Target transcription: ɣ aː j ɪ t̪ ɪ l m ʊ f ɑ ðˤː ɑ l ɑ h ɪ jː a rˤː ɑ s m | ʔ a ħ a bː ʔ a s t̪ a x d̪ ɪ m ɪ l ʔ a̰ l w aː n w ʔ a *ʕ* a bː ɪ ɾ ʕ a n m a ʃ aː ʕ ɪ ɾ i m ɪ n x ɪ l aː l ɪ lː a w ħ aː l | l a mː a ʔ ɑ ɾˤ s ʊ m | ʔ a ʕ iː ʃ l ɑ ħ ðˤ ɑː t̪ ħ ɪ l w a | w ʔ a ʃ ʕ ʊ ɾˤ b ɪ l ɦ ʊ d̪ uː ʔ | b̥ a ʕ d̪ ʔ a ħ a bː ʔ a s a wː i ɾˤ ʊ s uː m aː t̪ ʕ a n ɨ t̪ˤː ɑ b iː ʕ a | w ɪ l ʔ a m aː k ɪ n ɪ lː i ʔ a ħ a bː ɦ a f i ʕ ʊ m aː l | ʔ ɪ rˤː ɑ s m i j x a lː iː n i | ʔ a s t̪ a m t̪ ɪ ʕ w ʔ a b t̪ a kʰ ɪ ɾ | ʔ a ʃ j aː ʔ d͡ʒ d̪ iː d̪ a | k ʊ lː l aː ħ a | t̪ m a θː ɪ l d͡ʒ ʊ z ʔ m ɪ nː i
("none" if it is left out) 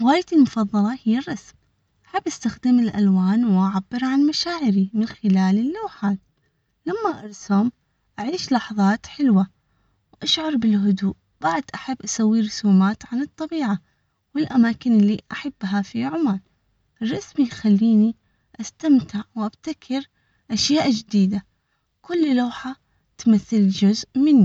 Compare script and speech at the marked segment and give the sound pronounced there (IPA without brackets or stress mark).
ʕ